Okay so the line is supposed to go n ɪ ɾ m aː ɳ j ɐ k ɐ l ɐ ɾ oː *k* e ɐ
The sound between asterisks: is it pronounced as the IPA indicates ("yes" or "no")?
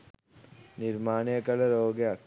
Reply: no